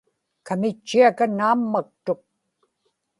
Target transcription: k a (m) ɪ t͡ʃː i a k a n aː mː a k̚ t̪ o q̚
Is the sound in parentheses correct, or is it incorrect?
correct